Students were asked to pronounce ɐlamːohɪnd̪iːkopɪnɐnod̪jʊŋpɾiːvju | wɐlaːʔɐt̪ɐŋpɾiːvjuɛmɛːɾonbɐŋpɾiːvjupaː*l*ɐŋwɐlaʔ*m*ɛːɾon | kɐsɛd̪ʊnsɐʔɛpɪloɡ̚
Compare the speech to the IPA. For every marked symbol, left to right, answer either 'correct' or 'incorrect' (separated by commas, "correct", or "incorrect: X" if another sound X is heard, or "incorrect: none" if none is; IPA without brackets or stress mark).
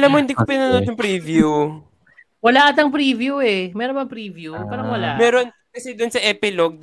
incorrect: ɾ, correct